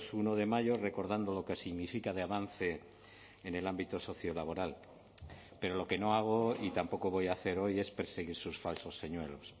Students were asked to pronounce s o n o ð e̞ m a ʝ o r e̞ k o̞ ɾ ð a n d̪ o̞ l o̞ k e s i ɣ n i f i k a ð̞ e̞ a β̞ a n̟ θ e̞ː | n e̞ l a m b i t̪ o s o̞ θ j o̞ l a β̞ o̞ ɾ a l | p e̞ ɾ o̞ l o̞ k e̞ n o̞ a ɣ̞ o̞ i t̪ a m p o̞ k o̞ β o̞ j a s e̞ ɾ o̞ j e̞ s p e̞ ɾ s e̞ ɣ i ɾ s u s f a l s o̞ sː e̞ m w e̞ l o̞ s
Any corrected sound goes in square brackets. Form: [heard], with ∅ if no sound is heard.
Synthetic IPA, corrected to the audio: s [u] n o ð e̞ m a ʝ o r e̞ k o̞ ɾ ð a n d̪ o̞ l o̞ k e s i ɣ n i f i k a ð̞ e̞ a β̞ a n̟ θ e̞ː | n e̞ l a m b i t̪ o s o̞ θ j o̞ l a β̞ o̞ ɾ a l | p e̞ ɾ o̞ l o̞ k e̞ n o̞ a ɣ̞ o̞ i t̪ a m p o̞ k o̞ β o̞ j a [θ] e̞ ɾ o̞ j e̞ s p e̞ ɾ s e̞ ɣ i ɾ s u s f a l s o̞ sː e̞ [ɲ] w e̞ l o̞ s